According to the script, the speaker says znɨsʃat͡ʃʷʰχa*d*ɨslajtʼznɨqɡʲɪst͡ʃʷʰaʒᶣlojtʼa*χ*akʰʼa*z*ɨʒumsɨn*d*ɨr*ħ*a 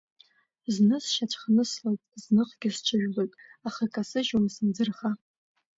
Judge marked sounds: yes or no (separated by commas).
no, yes, no, no, no